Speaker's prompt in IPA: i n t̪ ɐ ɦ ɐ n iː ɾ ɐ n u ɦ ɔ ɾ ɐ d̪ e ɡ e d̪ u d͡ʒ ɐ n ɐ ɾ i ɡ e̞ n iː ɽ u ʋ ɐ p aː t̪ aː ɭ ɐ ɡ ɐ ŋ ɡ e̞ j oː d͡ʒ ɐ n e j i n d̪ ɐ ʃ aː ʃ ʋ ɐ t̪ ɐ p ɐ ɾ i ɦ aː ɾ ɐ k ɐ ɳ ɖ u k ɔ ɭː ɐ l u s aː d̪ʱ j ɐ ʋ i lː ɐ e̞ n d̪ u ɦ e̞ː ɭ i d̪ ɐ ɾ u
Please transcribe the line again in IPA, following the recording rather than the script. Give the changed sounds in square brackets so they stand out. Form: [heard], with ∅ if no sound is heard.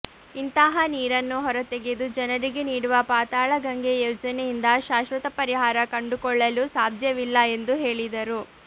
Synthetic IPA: i n t̪ ɐ ɦ ɐ n iː ɾ ɐ [nː] u ɦ ɔ ɾ ɐ [t̪] e ɡ e d̪ u d͡ʒ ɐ n ɐ ɾ i ɡ e̞ n iː ɽ u ʋ ɐ p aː t̪ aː ɭ ɐ ɡ ɐ ŋ ɡ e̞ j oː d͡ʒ ɐ n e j i n d̪ ɐ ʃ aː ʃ ʋ ɐ t̪ ɐ p ɐ ɾ i ɦ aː ɾ ɐ k ɐ ɳ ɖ u k ɔ ɭː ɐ l u s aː d̪ʱ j ɐ ʋ i lː ɐ e̞ n d̪ u ɦ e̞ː ɭ i d̪ ɐ ɾ u